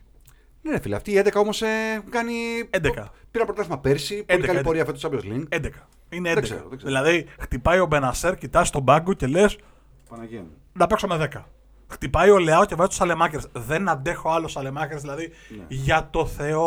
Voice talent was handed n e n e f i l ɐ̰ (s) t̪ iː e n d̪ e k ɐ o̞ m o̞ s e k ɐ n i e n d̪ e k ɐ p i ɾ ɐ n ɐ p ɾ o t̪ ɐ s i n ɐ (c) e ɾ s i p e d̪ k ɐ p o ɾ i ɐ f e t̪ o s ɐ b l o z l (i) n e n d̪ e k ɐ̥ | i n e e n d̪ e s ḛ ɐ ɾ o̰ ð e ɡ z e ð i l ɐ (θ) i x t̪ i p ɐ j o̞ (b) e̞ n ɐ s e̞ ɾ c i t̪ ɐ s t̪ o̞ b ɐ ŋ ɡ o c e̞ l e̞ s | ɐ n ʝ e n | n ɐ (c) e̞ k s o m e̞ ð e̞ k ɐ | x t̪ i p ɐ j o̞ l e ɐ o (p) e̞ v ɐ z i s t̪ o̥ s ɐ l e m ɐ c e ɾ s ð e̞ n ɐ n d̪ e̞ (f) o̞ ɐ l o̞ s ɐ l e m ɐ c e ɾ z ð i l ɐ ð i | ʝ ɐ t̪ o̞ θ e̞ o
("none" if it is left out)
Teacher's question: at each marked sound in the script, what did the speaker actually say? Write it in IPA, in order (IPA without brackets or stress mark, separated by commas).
f, p, i, ð, b, p, c, x